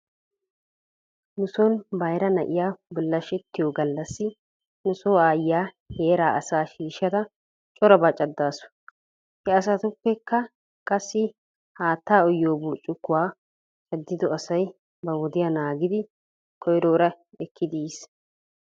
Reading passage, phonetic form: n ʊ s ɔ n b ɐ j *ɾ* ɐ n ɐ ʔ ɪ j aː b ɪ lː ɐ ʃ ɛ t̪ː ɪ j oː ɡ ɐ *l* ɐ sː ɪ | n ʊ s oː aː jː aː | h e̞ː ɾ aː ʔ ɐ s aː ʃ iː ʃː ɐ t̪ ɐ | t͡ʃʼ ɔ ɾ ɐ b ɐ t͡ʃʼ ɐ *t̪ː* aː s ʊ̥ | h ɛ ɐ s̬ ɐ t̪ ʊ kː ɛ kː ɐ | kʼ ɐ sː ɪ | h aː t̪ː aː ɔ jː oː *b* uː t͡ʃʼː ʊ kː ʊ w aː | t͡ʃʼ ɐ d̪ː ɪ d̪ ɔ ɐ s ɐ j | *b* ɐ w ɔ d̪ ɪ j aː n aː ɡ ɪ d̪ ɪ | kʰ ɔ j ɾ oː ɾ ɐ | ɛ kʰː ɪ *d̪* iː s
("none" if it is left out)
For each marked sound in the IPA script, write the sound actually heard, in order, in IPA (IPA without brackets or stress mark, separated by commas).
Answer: ɾ, lː, d̪ː, b, b, d̪